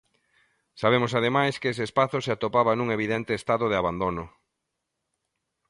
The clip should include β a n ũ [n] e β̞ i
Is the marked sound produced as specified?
no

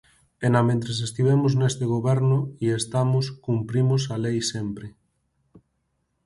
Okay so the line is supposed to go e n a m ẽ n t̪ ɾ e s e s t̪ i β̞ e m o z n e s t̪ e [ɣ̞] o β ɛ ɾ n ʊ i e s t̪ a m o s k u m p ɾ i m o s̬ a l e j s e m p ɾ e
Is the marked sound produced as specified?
yes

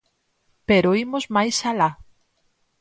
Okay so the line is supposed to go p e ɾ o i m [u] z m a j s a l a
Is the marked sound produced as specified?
no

